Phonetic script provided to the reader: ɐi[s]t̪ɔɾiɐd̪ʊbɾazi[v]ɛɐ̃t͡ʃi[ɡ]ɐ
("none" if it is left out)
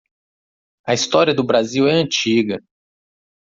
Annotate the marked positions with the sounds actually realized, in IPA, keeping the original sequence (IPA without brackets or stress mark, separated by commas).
s, w, ɡ